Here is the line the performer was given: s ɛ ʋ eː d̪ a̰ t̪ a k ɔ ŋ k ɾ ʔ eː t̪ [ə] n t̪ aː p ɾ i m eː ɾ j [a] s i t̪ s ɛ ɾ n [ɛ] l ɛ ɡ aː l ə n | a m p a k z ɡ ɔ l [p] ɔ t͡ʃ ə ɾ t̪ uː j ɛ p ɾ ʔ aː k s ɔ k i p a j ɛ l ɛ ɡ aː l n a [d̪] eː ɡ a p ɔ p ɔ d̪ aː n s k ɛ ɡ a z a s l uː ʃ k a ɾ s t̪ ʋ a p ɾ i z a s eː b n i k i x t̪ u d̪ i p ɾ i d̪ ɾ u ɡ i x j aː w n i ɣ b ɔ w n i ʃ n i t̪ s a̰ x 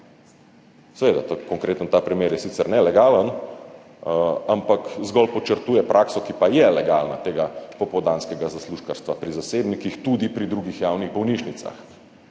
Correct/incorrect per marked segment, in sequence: correct, incorrect: ɛ, correct, correct, incorrect: t̪

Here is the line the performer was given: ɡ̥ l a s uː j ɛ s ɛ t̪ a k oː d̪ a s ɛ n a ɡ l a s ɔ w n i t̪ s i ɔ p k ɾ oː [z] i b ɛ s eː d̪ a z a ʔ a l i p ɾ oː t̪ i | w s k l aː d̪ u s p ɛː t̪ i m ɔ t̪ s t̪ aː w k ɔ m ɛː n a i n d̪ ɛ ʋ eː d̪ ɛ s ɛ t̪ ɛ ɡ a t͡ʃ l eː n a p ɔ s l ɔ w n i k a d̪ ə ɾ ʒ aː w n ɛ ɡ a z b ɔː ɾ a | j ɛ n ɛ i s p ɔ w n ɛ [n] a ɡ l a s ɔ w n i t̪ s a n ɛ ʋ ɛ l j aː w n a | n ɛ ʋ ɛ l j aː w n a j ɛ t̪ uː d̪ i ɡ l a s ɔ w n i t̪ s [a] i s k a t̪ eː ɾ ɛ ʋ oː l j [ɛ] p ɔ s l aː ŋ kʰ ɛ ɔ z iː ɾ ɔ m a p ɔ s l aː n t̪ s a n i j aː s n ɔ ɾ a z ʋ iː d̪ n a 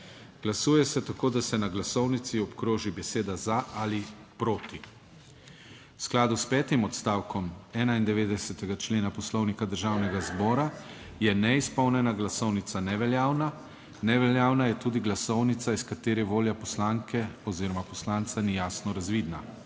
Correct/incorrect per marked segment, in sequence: incorrect: ʒ, correct, correct, incorrect: a

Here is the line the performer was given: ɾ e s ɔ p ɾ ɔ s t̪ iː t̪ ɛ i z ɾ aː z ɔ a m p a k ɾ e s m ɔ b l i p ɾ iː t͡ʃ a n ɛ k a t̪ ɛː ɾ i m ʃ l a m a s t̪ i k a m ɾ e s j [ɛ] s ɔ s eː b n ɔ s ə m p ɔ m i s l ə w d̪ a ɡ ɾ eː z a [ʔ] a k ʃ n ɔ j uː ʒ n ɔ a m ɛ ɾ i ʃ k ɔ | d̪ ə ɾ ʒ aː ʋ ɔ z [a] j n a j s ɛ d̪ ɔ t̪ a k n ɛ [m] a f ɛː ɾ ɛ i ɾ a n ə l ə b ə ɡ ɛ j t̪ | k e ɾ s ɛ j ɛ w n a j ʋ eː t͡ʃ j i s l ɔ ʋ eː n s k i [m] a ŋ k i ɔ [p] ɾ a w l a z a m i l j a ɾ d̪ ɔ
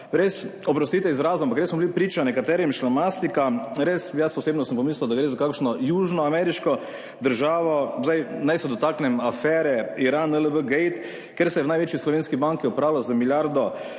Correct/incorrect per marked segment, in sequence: incorrect: a, incorrect: k, correct, correct, incorrect: b, correct

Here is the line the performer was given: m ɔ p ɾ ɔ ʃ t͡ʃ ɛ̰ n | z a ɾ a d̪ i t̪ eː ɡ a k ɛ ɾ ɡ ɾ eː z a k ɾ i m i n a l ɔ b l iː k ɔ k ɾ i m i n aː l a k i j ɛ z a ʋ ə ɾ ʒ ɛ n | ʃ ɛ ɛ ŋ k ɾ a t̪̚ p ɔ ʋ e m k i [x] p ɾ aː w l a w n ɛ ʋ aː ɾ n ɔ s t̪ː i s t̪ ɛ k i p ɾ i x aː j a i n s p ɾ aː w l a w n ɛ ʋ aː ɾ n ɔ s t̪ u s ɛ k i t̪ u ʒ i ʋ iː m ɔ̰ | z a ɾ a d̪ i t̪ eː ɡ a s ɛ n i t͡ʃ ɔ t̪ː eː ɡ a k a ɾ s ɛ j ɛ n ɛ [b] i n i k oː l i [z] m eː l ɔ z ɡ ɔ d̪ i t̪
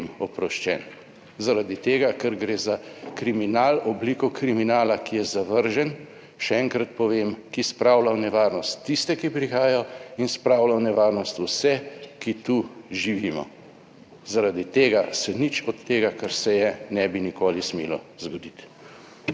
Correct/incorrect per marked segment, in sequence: incorrect: s, correct, incorrect: s

